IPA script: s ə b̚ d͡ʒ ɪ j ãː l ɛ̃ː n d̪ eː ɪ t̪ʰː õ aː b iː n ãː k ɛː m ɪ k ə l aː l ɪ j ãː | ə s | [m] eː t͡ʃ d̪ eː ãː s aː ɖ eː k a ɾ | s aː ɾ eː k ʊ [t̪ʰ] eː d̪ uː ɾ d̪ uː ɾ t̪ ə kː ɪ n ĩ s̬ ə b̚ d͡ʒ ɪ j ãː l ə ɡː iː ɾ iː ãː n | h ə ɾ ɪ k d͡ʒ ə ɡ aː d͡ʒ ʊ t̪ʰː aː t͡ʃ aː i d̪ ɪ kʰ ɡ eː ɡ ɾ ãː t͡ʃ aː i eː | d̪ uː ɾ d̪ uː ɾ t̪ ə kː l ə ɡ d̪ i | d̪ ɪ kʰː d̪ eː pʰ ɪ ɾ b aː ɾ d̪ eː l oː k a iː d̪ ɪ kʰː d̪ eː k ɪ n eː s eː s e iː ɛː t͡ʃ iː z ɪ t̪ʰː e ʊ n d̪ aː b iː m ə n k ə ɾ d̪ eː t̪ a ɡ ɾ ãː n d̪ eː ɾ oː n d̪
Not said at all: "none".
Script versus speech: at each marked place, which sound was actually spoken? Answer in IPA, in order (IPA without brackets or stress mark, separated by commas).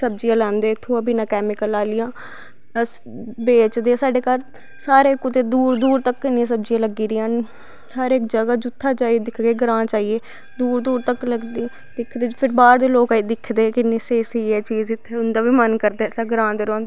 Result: b, t̪